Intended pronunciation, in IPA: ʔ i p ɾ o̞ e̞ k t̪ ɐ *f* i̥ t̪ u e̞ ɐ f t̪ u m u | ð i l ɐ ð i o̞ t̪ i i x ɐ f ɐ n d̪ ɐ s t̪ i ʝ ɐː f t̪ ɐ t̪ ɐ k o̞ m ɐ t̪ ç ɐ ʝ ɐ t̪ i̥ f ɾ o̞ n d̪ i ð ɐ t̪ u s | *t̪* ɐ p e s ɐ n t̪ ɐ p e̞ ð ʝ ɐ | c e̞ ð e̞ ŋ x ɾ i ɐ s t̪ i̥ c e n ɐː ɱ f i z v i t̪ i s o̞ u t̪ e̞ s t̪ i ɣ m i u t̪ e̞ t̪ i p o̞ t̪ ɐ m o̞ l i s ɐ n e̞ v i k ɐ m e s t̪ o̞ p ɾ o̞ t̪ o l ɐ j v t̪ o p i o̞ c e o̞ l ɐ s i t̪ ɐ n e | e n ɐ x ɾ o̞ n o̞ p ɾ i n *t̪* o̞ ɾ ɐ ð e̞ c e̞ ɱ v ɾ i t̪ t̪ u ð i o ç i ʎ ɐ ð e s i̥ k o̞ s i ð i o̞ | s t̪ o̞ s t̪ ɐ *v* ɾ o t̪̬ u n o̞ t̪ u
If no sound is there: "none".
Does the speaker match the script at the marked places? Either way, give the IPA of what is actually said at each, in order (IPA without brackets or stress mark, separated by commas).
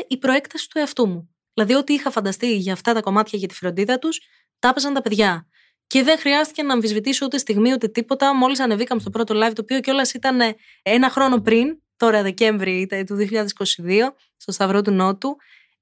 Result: s, t̪, t̪, v